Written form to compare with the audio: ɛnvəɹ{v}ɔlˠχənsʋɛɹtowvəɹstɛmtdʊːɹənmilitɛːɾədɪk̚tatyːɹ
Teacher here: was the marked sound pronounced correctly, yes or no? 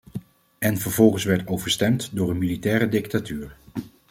yes